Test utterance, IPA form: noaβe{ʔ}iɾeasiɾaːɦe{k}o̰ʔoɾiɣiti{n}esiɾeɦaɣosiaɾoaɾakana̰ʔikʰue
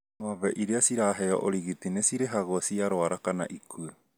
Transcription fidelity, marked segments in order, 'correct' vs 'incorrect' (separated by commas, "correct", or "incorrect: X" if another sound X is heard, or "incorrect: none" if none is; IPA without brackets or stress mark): correct, incorrect: none, correct